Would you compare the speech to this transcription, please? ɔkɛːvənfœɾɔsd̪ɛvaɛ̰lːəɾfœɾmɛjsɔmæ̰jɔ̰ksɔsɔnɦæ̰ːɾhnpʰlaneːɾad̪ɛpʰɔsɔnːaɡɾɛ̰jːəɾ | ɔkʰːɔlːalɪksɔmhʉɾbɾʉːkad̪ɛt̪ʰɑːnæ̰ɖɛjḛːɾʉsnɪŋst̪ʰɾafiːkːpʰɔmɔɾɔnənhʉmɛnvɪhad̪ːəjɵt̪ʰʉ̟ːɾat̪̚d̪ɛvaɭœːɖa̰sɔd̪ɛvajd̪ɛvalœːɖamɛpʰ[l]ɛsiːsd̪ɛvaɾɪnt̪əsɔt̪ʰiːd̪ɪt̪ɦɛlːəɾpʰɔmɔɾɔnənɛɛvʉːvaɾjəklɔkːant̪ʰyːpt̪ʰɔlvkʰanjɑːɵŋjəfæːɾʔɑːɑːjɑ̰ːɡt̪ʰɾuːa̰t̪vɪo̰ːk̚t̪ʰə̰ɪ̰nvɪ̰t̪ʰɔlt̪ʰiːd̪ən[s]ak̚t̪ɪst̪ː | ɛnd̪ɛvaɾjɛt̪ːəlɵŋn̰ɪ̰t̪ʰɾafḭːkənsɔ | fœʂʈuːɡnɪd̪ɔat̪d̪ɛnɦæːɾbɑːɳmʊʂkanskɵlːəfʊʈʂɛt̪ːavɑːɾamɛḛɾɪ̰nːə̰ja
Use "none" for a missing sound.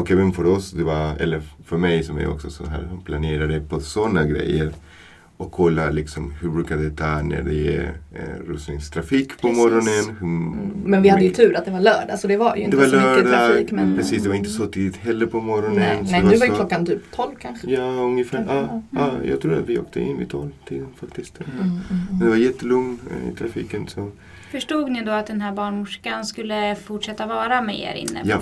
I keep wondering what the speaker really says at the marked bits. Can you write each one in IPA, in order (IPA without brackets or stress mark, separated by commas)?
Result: ɾ, f